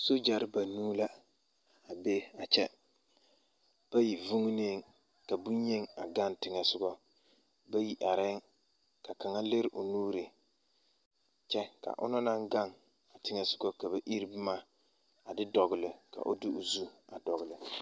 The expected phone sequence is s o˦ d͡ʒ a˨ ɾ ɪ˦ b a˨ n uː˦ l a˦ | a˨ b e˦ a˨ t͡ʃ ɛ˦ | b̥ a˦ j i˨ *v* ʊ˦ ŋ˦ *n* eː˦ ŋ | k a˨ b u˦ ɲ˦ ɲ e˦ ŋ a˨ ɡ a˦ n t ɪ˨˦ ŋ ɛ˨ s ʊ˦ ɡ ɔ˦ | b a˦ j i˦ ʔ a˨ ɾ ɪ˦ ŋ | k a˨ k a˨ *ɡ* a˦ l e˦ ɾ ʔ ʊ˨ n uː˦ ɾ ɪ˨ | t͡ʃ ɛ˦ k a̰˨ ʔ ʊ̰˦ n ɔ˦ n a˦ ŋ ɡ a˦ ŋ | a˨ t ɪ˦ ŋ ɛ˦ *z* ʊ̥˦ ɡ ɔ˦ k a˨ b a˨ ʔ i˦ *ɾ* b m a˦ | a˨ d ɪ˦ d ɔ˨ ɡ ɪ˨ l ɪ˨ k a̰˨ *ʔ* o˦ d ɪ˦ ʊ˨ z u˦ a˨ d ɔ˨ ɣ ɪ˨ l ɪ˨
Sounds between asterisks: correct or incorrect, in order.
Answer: correct, correct, incorrect, incorrect, correct, correct

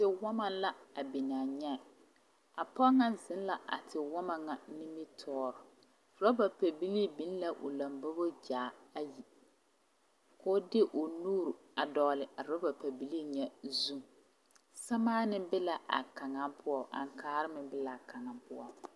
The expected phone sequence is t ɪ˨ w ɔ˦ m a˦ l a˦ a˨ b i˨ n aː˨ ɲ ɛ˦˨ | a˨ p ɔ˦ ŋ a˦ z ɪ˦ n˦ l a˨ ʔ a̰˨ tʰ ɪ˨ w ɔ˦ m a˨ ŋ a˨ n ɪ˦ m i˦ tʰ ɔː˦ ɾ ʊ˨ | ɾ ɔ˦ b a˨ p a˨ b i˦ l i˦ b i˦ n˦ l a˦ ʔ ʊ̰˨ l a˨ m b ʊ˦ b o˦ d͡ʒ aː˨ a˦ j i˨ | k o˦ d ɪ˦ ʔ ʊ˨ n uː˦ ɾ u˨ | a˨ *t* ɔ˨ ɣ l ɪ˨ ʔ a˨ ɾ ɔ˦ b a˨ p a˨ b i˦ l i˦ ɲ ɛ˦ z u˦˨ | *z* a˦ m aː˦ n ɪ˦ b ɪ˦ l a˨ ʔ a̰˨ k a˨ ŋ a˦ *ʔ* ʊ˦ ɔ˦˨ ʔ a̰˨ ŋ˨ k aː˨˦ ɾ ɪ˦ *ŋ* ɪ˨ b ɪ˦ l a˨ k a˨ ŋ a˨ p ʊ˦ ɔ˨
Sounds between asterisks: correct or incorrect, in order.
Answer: incorrect, incorrect, incorrect, incorrect

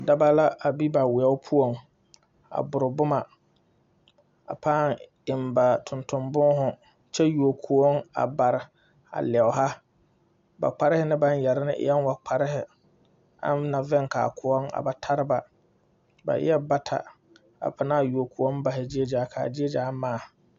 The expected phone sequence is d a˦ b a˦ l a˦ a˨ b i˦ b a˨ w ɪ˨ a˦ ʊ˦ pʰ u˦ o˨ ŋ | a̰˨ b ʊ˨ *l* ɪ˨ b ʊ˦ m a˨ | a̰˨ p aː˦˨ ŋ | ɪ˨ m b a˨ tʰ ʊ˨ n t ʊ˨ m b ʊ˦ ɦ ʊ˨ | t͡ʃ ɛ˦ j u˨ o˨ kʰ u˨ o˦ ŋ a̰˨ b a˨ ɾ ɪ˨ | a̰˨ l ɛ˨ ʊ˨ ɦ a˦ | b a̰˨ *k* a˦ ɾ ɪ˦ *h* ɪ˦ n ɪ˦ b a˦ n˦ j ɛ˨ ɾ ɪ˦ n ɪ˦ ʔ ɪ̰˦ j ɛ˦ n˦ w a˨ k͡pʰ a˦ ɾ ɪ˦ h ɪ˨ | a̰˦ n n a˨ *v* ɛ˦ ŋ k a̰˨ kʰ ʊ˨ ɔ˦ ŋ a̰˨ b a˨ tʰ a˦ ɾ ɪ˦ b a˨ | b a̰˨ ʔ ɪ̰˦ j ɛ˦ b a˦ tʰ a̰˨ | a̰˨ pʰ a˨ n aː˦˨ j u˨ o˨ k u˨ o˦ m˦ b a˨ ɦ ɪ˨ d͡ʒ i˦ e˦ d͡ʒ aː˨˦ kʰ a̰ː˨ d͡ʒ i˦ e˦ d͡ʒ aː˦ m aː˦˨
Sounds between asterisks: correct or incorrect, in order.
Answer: incorrect, incorrect, correct, correct

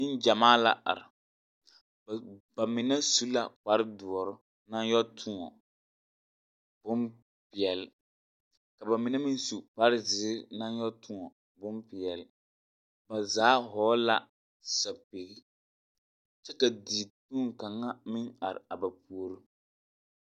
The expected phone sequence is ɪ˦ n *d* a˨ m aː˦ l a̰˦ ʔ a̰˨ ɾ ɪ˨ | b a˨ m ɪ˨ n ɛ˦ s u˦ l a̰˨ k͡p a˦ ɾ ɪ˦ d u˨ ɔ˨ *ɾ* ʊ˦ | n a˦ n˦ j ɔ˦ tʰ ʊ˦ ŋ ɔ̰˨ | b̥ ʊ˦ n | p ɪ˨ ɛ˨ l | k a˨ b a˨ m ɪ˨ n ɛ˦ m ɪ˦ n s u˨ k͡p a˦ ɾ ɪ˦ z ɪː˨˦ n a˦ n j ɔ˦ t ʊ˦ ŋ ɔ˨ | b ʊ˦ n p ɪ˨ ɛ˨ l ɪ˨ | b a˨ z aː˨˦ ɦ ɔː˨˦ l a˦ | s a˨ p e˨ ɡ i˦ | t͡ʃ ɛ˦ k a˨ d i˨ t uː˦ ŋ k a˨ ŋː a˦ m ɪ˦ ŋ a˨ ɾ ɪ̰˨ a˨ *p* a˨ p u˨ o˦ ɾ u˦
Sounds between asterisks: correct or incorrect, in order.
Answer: incorrect, correct, incorrect

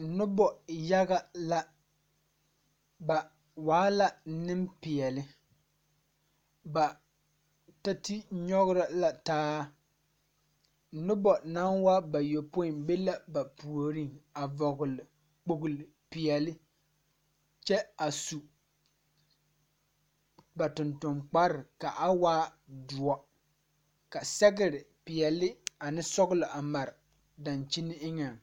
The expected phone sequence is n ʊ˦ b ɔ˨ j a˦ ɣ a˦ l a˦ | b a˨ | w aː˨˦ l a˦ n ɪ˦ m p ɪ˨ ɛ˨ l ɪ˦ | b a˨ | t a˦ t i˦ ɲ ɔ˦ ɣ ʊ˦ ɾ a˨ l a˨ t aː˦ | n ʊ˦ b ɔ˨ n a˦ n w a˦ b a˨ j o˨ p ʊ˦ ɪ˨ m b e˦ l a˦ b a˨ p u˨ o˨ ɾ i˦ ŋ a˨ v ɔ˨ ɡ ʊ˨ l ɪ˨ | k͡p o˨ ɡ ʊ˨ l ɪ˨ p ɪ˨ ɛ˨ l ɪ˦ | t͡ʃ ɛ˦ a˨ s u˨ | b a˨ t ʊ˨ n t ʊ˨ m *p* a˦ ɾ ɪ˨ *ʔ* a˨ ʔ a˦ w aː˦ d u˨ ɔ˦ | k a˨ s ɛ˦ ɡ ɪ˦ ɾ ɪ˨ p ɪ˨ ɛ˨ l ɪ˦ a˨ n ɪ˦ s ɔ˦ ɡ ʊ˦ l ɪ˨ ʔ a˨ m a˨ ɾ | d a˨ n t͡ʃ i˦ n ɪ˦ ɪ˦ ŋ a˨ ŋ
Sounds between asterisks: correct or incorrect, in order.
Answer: incorrect, incorrect

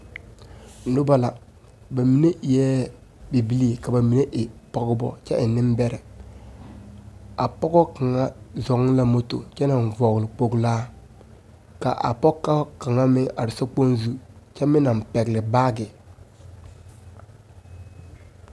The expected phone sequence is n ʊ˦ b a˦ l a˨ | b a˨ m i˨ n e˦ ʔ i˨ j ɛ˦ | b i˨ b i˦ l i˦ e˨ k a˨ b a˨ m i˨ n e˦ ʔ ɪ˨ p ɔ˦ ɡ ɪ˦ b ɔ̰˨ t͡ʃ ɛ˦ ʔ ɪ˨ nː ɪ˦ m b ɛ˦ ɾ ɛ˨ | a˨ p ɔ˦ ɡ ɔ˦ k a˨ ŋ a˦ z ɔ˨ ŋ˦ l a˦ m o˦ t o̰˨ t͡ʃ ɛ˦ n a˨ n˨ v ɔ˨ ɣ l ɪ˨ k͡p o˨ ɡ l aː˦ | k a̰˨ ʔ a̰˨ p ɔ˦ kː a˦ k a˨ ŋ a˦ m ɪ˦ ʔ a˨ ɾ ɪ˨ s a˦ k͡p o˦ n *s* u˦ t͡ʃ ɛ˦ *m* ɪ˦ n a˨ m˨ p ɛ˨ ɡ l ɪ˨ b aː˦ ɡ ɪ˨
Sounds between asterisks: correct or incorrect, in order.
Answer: incorrect, correct

